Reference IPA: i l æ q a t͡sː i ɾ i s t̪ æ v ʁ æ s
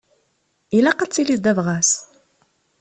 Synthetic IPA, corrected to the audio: i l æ q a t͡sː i l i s d̪ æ v ʁ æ s